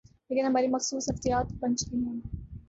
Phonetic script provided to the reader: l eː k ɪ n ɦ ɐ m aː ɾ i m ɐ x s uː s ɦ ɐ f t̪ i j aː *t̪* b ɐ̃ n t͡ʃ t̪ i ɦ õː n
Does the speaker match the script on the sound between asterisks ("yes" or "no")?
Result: yes